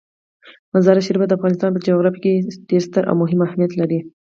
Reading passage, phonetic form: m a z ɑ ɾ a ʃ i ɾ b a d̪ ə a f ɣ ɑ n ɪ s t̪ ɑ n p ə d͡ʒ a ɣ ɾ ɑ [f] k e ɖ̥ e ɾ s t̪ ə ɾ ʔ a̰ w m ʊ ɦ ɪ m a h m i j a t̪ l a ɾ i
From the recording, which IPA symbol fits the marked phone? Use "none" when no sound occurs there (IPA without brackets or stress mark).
f